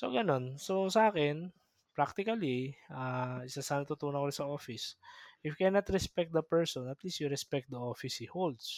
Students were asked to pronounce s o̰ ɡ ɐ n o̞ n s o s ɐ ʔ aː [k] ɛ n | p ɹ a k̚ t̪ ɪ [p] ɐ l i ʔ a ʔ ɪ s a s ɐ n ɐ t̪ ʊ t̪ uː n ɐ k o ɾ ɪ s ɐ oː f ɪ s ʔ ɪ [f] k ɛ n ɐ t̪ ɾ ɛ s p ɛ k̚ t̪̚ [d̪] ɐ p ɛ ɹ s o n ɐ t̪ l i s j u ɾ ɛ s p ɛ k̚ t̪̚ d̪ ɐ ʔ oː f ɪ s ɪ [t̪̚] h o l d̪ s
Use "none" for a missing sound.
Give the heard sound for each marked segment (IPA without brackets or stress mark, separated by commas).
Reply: k, k, f, d̪, none